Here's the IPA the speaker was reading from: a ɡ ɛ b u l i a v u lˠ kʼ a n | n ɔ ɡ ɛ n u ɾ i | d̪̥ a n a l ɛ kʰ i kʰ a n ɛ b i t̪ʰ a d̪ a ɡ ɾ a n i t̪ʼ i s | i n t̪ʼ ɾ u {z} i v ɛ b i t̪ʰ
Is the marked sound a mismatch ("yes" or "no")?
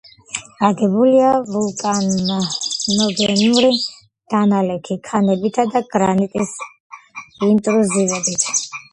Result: no